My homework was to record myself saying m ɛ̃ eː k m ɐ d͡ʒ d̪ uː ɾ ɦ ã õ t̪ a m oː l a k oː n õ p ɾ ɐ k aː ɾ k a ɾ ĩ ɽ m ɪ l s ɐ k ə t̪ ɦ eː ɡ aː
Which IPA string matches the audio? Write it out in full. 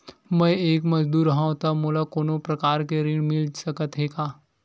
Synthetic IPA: m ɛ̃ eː k m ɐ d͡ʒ d̪ uː ɾ ɦ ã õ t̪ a m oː l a k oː n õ p ɾ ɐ k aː ɾ k e ɾ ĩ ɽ m ɪ l s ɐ k ə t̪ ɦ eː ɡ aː